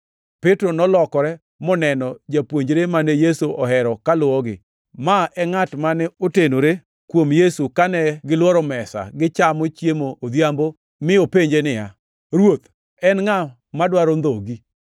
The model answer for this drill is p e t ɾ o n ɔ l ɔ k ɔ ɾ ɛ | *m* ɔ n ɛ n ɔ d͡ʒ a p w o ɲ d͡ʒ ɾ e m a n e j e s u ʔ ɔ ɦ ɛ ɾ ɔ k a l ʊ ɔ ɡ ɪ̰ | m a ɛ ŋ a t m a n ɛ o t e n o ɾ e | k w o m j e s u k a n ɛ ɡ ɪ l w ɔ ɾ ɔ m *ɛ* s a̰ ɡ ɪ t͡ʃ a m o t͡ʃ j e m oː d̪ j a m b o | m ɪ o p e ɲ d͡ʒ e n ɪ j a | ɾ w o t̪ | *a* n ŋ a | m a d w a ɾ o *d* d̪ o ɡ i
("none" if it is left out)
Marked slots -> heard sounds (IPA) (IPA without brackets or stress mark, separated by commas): m, ɛ, ɛ, n